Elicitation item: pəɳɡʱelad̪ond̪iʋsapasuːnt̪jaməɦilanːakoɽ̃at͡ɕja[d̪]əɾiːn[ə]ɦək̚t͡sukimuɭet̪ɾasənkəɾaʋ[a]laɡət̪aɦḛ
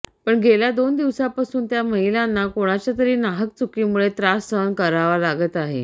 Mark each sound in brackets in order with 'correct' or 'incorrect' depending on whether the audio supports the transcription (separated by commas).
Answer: incorrect, incorrect, correct